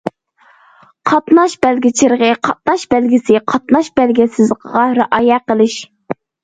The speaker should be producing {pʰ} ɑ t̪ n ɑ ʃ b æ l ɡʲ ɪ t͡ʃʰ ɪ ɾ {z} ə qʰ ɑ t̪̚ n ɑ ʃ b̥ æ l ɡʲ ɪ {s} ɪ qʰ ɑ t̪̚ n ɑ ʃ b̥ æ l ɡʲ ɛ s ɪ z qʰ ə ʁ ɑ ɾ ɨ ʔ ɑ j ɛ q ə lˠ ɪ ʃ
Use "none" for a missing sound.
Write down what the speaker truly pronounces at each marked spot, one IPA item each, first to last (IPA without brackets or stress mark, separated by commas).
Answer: qʰ, ʁ, s